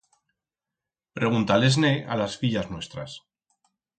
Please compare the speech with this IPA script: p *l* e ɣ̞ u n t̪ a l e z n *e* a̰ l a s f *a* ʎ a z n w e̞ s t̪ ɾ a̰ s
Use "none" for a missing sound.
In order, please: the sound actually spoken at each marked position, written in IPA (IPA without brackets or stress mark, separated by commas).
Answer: ɾ, e, i